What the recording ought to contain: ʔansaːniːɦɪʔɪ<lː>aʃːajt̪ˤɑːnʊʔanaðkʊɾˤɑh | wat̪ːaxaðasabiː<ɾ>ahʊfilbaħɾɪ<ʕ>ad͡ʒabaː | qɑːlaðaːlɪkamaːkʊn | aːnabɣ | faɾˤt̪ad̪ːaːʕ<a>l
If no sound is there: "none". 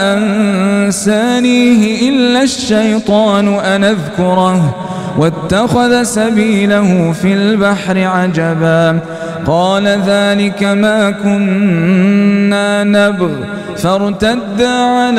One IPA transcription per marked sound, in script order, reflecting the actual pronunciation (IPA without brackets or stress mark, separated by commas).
lː, l, ʕ, a